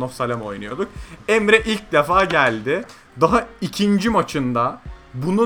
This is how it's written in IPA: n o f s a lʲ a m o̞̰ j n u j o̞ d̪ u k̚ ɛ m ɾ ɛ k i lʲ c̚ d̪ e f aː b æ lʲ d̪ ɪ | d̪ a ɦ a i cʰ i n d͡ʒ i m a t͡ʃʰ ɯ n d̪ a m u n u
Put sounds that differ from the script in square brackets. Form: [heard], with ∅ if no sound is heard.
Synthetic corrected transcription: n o f s a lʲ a m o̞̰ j n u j o̞ d̪ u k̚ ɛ m ɾ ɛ [ʔ] i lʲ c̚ d̪ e f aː [ɟ] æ lʲ d̪ ɪ | d̪ a ɦ a i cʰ i n d͡ʒ i m a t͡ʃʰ ɯ n d̪ a [b] u n u